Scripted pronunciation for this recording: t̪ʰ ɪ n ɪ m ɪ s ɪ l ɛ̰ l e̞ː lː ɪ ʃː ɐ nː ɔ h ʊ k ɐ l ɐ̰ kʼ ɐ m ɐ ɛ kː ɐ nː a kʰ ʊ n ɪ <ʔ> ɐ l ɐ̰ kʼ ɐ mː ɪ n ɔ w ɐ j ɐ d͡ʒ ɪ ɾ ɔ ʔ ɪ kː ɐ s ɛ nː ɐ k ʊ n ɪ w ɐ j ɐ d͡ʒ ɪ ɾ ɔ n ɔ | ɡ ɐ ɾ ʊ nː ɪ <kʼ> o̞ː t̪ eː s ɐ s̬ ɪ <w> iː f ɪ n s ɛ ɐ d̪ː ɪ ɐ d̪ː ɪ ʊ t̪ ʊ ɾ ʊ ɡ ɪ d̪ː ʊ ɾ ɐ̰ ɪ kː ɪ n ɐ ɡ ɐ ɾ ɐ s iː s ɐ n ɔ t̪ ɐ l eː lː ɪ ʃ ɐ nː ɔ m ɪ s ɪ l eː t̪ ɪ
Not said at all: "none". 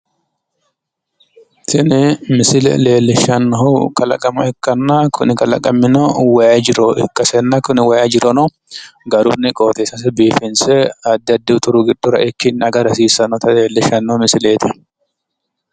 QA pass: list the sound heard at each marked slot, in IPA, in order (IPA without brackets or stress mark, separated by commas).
k, kʼ, b